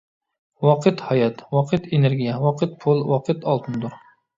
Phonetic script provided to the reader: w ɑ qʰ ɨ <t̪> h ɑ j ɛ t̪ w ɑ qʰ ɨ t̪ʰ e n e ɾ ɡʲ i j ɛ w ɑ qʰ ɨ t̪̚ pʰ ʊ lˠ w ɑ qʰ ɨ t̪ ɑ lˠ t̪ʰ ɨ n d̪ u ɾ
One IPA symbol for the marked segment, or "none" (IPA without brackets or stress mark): t̪